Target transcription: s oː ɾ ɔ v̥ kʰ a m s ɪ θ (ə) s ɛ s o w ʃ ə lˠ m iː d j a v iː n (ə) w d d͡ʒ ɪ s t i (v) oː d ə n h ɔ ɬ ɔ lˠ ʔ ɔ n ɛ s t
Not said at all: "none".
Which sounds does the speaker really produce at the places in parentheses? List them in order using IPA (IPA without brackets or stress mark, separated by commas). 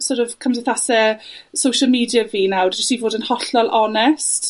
a, a, v